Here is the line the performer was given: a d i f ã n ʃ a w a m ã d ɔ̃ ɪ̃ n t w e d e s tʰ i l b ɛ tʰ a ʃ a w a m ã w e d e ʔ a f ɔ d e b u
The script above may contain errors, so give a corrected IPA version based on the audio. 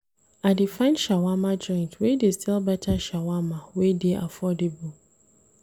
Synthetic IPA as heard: a d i f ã n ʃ a w a m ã d͡ʒ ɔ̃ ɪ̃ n t w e d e s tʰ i l b ɛ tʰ a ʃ a w a m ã w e d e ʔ a f ɔ d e b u